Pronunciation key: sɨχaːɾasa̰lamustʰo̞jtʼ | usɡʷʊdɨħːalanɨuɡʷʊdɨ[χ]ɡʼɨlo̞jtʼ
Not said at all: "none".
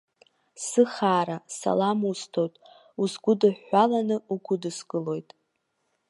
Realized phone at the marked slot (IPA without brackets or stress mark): s